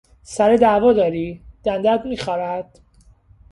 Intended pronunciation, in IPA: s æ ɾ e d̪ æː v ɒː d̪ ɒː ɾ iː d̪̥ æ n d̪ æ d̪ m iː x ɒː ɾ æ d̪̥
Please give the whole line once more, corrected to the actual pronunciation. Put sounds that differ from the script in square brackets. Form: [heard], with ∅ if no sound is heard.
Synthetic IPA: s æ ɾ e d̪ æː v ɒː d̪ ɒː ɾ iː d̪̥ æ n d̪ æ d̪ m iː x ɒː ɾ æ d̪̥